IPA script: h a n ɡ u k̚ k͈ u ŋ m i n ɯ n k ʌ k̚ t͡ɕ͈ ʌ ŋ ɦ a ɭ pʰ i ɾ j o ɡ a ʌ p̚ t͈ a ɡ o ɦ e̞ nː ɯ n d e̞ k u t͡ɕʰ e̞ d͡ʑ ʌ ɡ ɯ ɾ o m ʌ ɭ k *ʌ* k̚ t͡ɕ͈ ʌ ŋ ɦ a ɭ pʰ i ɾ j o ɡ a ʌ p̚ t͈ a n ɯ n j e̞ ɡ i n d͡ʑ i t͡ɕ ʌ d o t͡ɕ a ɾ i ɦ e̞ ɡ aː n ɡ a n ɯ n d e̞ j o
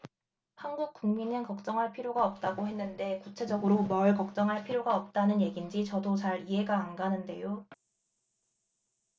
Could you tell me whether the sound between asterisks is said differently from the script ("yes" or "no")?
no